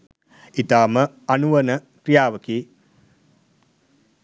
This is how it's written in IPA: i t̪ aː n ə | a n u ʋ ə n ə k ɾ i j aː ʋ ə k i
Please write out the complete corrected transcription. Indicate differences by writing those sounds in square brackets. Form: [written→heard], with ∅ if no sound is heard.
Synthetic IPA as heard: i t̪ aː [n→m] ə | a n u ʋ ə n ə k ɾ i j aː ʋ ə k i